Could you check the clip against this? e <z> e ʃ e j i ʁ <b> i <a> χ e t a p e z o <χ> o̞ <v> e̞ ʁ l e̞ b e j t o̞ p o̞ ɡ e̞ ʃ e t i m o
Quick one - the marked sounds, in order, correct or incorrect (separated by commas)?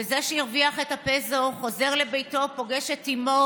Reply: correct, incorrect, correct, correct, incorrect